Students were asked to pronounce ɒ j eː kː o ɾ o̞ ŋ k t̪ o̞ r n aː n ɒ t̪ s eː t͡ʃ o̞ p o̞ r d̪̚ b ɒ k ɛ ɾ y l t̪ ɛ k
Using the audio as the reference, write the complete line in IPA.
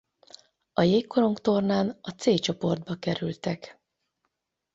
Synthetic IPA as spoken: ɒ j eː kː o ɾ o̞ ŋ k t̪ o̞ r n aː n ɒ t̪ s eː t͡ʃ o̞ p o̞ r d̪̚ b ɒ k ɛ ɾ y l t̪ ɛ k